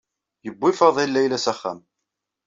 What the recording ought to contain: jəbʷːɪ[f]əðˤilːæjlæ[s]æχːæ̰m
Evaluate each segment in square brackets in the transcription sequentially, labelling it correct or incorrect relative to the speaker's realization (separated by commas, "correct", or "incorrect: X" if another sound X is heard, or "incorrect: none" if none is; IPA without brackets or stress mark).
correct, correct